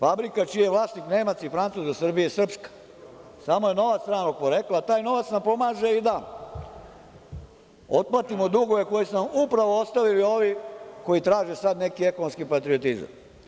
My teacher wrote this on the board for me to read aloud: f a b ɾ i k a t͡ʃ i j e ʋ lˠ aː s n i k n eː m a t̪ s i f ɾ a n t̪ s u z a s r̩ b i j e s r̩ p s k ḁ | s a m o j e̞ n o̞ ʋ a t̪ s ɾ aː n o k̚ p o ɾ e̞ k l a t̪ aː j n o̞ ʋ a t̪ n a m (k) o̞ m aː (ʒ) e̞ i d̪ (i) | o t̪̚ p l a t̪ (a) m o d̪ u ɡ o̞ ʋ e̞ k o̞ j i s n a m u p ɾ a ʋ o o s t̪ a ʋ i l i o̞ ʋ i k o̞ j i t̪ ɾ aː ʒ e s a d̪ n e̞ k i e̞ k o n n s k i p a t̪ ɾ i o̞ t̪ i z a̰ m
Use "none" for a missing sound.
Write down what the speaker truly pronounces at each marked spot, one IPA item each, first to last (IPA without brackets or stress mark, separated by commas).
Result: p, ʒ, a, i